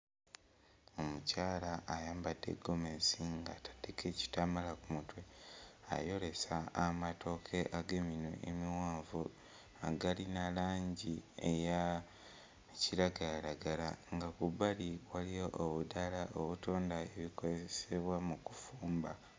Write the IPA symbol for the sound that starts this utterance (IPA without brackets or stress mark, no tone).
o